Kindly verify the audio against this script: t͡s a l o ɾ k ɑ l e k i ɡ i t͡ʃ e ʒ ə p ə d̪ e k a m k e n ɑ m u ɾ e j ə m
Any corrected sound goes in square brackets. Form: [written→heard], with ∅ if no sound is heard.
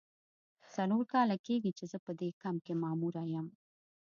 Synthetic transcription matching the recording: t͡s a l o ɾ k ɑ l [e→a] k [i→e] ɡ i t͡ʃ e [ʒ→z] ə p ə d̪ e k a m k e [n→m] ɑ m u ɾ [e→a] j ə m